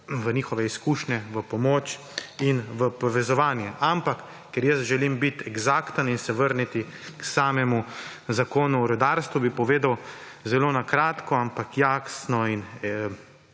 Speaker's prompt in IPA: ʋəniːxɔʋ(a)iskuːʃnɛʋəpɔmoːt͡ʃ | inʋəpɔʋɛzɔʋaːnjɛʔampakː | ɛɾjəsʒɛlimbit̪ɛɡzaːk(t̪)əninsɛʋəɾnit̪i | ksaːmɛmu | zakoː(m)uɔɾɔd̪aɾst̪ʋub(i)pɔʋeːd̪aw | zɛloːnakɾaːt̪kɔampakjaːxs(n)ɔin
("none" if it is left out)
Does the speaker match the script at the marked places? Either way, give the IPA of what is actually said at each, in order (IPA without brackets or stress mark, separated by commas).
ɛ, t̪, n, i, n